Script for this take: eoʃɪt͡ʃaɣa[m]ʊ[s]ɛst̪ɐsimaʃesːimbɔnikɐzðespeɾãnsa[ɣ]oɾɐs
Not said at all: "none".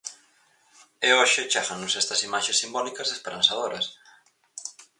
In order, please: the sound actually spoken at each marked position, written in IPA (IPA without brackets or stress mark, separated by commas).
n, s, ð